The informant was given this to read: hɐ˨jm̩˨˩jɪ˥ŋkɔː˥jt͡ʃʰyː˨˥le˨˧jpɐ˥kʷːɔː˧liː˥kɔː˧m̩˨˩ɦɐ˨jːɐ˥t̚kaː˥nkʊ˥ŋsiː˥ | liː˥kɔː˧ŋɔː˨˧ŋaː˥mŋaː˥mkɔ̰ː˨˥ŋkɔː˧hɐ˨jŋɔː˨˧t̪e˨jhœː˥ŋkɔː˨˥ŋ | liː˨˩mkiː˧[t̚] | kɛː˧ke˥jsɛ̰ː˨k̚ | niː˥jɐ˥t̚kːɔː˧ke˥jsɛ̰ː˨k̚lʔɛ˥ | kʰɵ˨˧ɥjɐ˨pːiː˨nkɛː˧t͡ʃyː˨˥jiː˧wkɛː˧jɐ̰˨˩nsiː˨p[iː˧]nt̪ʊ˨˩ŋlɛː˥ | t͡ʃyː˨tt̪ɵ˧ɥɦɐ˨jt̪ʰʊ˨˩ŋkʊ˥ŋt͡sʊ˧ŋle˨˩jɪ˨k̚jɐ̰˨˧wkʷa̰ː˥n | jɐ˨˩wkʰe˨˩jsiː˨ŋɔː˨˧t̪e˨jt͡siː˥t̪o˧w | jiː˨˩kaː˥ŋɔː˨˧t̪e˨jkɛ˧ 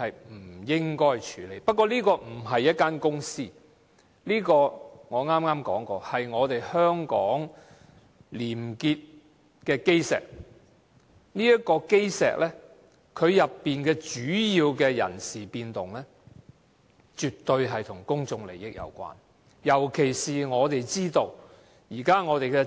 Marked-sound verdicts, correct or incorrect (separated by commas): correct, correct